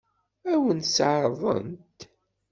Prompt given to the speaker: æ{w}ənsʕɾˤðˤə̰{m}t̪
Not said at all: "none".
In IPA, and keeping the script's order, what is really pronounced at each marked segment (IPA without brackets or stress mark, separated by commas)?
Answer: w, n